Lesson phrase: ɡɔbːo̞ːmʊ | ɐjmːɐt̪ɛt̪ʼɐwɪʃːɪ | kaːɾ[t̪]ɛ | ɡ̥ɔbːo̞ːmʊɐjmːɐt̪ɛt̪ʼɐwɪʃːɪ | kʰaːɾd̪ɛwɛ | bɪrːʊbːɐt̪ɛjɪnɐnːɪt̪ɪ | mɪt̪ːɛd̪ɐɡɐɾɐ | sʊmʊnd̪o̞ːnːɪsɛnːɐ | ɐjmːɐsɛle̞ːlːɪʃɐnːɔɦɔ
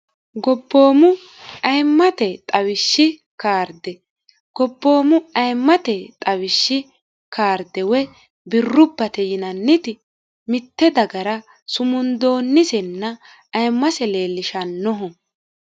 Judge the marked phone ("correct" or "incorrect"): incorrect